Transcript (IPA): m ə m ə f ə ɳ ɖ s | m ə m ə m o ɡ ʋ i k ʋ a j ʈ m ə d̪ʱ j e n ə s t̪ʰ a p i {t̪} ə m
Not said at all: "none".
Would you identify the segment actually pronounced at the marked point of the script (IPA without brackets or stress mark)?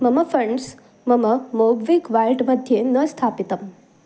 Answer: t̪